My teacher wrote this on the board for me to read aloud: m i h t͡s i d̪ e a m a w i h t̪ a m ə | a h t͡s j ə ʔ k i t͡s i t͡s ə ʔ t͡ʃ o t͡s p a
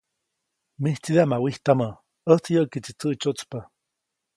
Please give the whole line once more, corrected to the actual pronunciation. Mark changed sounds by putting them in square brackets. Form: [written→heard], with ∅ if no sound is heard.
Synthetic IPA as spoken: m i h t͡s i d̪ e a m a w i h t̪ a m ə | [a→ə] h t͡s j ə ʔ k i t͡s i t͡s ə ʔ t͡ʃ o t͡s p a